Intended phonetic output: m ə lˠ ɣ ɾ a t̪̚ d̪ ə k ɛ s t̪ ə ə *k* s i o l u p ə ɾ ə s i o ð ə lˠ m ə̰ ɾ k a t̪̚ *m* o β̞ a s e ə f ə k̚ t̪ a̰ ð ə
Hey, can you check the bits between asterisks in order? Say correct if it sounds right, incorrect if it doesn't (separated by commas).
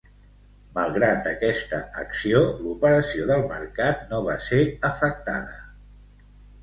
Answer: correct, incorrect